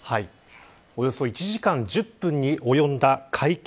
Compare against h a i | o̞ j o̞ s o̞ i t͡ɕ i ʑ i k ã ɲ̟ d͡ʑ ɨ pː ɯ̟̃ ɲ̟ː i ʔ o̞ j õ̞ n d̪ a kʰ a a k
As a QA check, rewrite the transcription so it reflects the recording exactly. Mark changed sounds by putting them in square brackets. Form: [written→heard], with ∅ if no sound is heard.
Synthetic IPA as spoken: h a i | o̞ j o̞ s o̞ i t͡ɕ i ʑ i k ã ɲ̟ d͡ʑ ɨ pː ɯ̟̃ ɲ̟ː i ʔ o̞ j õ̞ n d̪ a kʰ a [a→i] k

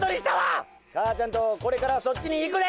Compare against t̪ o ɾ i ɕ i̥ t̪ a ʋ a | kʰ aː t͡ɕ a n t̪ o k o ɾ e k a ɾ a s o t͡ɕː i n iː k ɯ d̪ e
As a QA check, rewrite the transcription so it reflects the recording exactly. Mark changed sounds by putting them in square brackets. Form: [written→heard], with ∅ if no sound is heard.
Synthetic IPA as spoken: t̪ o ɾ i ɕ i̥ t̪ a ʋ a | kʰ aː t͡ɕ a n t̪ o k o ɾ e k a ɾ a s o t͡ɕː i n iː k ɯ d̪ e

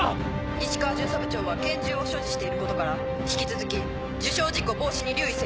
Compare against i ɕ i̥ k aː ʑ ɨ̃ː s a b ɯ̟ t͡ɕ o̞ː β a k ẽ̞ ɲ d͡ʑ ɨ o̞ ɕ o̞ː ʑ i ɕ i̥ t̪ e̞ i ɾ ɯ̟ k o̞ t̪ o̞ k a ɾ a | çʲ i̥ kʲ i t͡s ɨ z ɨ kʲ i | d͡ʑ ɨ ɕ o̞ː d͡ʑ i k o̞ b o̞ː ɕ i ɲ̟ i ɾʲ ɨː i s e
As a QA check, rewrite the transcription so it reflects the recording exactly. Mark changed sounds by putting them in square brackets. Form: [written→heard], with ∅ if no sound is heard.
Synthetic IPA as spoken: i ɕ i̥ k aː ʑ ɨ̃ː s a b ɯ̟ t͡ɕ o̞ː β a k ẽ̞ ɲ d͡ʑ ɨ o̞ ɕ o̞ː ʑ i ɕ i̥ t̪ e̞ i ɾ ɯ̟ k o̞ t̪ o̞ k a ɾ a | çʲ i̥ kʲ i t͡s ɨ z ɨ kʲ i | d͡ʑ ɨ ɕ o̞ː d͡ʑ i k o̞ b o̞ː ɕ i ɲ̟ i ɾʲ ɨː i s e

